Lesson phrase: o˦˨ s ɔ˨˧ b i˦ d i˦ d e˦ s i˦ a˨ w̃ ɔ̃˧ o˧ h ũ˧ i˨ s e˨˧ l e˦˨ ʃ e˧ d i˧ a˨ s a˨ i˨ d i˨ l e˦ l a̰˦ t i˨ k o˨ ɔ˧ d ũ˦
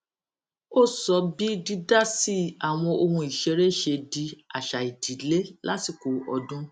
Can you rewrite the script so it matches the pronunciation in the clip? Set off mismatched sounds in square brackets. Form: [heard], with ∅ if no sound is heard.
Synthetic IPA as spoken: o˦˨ s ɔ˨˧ b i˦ d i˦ d [a˦] s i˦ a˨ w̃ ɔ̃˧ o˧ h ũ˧ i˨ [ʃ] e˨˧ [ɾ] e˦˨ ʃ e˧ d i˧ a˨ [ʃ] a˨ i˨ d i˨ l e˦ l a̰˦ t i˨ k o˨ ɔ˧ d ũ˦